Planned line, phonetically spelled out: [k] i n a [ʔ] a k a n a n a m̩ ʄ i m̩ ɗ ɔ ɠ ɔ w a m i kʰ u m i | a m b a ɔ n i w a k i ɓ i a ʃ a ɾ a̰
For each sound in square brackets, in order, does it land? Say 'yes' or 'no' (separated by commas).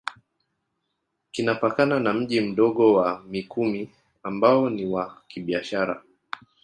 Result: yes, no